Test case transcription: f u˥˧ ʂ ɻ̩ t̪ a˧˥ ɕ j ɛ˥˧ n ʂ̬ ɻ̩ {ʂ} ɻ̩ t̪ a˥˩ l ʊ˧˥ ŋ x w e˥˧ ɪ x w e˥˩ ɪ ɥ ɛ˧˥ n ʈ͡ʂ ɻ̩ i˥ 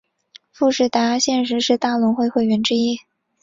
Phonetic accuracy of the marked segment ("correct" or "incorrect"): correct